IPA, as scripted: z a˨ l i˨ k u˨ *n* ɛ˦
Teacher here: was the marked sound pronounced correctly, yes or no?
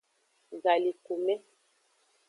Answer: no